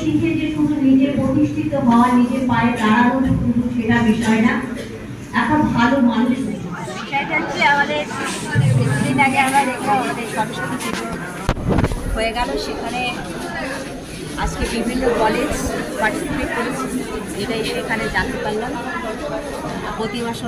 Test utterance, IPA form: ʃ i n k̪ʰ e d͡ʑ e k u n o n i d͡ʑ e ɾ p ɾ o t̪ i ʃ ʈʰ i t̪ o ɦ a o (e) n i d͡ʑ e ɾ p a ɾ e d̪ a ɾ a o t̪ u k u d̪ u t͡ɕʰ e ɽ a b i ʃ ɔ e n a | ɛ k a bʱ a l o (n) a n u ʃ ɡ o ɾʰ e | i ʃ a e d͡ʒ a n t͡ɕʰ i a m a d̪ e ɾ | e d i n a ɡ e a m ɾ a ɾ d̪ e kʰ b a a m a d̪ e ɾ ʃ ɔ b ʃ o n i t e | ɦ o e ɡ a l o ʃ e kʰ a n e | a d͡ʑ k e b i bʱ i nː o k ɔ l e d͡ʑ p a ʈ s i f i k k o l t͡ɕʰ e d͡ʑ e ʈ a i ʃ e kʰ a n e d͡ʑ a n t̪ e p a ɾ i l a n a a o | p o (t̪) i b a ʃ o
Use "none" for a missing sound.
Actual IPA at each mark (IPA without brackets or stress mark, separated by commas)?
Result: a, m, t̪